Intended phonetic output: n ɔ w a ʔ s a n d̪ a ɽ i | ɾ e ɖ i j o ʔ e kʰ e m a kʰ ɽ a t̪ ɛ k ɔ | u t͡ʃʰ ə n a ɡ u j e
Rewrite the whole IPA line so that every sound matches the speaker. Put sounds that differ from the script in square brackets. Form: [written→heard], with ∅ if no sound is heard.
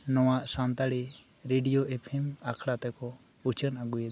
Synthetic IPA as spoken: n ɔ w a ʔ s a n [d̪→t̪] a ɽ i | ɾ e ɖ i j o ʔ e [kʰ→pʰ] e m a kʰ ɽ a t̪ ɛ k ɔ | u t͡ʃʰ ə n a ɡ u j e